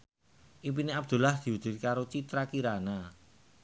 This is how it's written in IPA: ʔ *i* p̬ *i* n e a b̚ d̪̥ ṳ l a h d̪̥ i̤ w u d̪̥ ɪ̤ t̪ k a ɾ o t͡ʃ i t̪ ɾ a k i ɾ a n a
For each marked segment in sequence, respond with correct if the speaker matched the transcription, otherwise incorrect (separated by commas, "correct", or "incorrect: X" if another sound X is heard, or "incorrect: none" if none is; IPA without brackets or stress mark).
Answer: correct, correct